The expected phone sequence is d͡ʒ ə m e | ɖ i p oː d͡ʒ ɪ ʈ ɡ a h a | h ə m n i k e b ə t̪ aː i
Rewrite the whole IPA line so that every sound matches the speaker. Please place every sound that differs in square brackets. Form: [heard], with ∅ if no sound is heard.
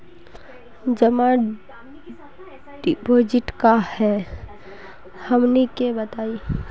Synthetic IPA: d͡ʒ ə m [a] | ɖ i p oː d͡ʒ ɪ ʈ [k] a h [ɛ] | h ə m n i k e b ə t̪ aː i